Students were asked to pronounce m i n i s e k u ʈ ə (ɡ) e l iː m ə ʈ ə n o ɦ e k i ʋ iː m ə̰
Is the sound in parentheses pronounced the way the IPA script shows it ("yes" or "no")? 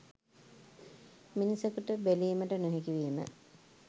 no